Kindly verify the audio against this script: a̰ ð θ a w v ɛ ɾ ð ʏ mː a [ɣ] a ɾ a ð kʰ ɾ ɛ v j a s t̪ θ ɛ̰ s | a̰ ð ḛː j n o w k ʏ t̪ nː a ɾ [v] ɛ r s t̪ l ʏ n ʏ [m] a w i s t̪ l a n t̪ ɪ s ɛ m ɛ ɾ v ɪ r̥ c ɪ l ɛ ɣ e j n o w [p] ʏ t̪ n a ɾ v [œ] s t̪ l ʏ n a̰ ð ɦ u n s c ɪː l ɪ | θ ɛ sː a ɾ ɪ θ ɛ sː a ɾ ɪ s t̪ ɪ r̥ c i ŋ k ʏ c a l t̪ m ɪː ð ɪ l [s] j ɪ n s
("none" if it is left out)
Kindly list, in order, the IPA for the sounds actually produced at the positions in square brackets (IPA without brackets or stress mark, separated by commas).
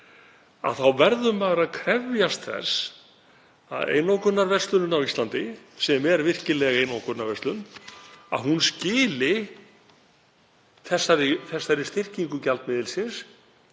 ɣ, v, n, k, ɛ, s